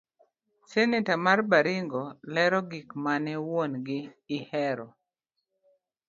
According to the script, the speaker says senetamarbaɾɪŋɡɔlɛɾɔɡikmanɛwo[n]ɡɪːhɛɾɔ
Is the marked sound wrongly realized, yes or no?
no